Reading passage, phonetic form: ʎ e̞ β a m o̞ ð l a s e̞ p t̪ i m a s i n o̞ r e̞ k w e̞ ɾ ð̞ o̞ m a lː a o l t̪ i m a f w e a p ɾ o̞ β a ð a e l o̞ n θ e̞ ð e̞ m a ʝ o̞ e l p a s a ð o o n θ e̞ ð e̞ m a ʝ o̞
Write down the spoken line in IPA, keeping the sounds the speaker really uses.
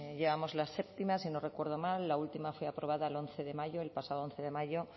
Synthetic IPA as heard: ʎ e̞ β a m o̞ z l a s e̞ p t̪ i m a s i n o̞ r e̞ k w e̞ ɾ ð̞ o̞ m a lː a u l t̪ i m a f w e a p ɾ o̞ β a ð a e l o̞ n θ e̞ ð e̞ m a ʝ o̞ e l p a s a ð o o n θ e̞ ð e̞ m a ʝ o̞

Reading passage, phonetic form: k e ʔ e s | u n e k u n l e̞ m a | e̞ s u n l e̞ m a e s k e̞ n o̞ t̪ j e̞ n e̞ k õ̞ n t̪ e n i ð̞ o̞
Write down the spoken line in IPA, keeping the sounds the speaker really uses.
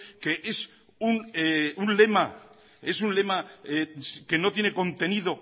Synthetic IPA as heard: k e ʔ e s | u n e u n l e̞ m a | e̞ s u n l e̞ m a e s k e̞ n o̞ t̪ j e̞ n e̞ k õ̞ n t̪ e n i ð̞ o̞

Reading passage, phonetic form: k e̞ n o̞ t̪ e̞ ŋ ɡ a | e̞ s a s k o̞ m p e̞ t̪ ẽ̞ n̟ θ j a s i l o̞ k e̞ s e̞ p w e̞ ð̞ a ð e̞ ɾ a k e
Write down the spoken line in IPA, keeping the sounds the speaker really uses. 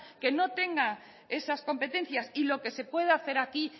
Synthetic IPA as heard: k e̞ n o̞ t̪ e̞ ŋ ɡ a | e̞ s a s k o̞ m p e̞ t̪ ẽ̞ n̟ θ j a s i l o̞ k e̞ s e̞ p w e̞ ð̞ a θ e̞ ɾ a k i

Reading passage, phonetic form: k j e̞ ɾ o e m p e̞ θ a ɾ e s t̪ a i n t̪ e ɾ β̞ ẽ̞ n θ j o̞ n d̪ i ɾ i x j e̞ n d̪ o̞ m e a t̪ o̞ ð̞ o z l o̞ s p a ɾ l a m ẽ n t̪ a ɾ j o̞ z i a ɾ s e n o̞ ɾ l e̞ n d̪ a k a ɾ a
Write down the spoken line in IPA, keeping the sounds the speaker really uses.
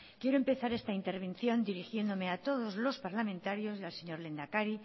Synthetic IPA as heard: k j e̞ ɾ o e m p e̞ θ a ɾ e s t̪ a i n t̪ e ɾ β̞ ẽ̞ n θ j o̞ n d̪ i ɾ i x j e̞ n d̪ o̞ m e a t̪ o̞ ð̞ o z l o̞ s p a ɾ l a m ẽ n t̪ a ɾ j o̞ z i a l s e ɲ o̞ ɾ l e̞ n d̪ a k a ɾ i

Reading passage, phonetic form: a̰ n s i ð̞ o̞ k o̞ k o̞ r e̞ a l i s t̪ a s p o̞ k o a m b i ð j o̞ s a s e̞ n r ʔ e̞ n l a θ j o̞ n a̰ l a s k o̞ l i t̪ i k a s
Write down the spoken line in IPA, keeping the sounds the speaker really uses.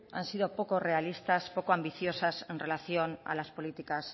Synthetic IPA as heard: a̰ n s i ð̞ o̞ p o̞ k o̞ r e̞ a l i s t̪ a s p o̞ k o a m b i θ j o̞ s a s e̞ n r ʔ e̞ l a θ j o̞ n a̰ l a s p o̞ l i t̪ i k a s

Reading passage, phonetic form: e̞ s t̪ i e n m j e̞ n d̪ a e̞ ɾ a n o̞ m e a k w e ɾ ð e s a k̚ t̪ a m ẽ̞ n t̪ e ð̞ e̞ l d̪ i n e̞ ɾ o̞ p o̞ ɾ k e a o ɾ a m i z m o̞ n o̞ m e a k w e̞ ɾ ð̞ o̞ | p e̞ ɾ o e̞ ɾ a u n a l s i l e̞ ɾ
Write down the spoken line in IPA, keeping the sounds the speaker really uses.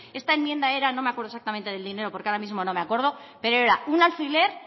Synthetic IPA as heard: e̞ s t̪ a e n m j e̞ n d̪ a e̞ ɾ a n o̞ m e a k w e ɾ ð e s a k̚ t̪ a m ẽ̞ n t̪ e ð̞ e̞ l d̪ i n e̞ ɾ o̞ p o̞ ɾ k e a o ɾ a m i z m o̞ n o̞ m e a k w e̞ ɾ ð̞ o̞ | p e̞ ɾ o e̞ ɾ a u n a l f i l e̞ ɾ

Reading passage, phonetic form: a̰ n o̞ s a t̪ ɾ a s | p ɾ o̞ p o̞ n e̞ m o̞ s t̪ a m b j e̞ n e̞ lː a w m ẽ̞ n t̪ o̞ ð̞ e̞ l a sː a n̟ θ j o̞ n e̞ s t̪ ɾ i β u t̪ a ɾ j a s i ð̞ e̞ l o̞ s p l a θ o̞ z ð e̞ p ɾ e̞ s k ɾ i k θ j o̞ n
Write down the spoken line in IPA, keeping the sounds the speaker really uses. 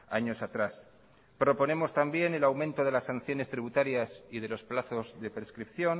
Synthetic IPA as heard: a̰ ɲ o̞ s a t̪ ɾ a s | p ɾ o̞ p o̞ n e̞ m o̞ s t̪ a m b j e̞ n e̞ l a w m ẽ̞ n t̪ o̞ ð̞ e̞ l a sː a n̟ θ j o̞ n e̞ s t̪ ɾ i β u t̪ a ɾ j a s i ð̞ e̞ l o̞ s p l a θ o̞ z ð e̞ p ɾ e̞ s k ɾ i p θ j o̞ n

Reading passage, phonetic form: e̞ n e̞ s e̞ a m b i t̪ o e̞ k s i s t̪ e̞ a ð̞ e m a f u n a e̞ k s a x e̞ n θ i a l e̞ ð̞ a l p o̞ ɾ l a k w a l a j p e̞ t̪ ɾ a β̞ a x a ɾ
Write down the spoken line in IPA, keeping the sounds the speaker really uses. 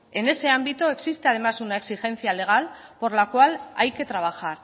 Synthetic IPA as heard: e̞ n e̞ s e̞ a m b i t̪ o e̞ k s i s t̪ e̞ a ð̞ e m a s u n a e̞ k s i x e̞ n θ i a l e̞ ɣ̞ a l p o̞ ɾ l a k w a l a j k e̞ t̪ ɾ a β̞ a x a ɾ

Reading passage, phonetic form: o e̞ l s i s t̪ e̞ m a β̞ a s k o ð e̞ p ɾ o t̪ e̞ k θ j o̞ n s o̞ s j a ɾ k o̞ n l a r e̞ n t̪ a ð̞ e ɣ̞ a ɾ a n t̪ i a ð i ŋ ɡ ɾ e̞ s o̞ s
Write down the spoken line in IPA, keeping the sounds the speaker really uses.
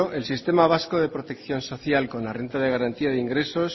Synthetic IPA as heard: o e̞ l s i s t̪ e̞ m a β̞ a s k o ð e̞ p ɾ o t̪ e̞ k θ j o̞ n s o̞ θ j a l k o̞ n l a r e̞ n t̪ a ð̞ e ɣ̞ a ɾ a n t̪ i a ð i ŋ ɡ ɾ e̞ s o̞ s

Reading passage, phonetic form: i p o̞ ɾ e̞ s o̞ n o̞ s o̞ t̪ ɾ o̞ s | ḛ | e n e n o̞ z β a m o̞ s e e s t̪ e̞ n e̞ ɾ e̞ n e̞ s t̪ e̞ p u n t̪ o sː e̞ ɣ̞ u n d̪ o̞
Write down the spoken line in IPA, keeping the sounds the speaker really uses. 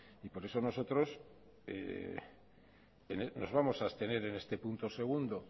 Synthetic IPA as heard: i p o̞ ɾ e̞ s o̞ n o̞ s o̞ t̪ ɾ o̞ s | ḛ | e n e n o̞ z β a m o̞ s a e s t̪ e̞ n e̞ ɾ e̞ n e̞ s t̪ e̞ p u n t̪ o s e̞ ɣ̞ u n d̪ o̞

